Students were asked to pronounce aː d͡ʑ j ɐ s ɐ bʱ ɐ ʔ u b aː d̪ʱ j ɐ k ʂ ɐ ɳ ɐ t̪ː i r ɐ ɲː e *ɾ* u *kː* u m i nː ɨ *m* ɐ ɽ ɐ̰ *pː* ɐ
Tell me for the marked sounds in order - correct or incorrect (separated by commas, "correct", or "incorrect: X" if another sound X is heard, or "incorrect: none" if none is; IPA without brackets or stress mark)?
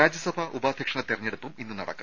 incorrect: ɽ, incorrect: pː, incorrect: n, incorrect: kː